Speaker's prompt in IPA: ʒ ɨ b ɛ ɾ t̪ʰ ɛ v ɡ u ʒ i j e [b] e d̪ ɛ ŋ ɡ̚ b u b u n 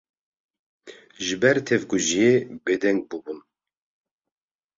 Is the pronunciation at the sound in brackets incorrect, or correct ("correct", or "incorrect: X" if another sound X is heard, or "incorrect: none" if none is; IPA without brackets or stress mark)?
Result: correct